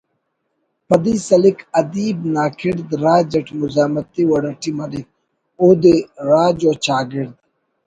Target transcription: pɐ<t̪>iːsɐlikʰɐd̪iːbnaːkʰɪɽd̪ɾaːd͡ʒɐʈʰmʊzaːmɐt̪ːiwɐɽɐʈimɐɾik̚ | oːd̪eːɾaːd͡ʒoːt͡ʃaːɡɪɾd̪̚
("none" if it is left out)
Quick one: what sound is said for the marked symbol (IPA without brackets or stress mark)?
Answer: d̪